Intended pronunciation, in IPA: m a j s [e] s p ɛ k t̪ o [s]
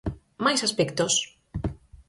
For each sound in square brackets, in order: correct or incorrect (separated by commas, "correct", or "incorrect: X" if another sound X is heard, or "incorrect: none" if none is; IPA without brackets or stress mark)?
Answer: incorrect: a, correct